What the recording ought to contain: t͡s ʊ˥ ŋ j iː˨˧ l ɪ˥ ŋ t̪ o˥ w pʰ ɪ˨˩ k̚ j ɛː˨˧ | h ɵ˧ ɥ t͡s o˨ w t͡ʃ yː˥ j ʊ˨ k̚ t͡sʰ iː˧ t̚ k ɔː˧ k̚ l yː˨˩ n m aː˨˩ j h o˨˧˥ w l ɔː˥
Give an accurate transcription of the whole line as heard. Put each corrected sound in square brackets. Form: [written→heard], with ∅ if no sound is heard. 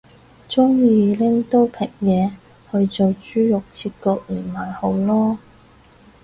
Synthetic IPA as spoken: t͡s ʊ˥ ŋ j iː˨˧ l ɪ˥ ŋ t̪ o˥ w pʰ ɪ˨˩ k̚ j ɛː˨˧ | h ɵ˧ ɥ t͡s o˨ w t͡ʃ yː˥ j ʊ˨ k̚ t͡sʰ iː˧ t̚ k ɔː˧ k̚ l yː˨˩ n m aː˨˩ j h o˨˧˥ w l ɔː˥